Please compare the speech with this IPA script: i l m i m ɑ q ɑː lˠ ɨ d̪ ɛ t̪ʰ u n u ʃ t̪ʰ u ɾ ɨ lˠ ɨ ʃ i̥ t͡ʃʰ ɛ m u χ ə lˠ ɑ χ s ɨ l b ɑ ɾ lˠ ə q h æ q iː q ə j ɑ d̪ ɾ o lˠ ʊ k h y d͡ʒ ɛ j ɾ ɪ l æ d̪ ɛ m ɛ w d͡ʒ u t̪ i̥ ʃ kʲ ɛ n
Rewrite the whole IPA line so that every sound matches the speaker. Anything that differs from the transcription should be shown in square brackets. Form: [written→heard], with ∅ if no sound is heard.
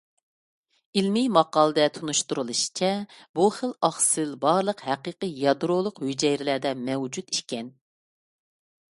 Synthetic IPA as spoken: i l m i m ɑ q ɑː lˠ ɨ d̪ ɛ t̪ʰ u n u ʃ [t̪ʰ→t̪] u ɾ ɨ lˠ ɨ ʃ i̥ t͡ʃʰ ɛ [m→b] u χ ə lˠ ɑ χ s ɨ l b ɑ ɾ lˠ ə q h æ q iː q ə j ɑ d̪ ɾ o lˠ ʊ [k→q] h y d͡ʒ ɛ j ɾ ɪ l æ d̪ ɛ m ɛ w d͡ʒ u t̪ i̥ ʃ kʲ ɛ n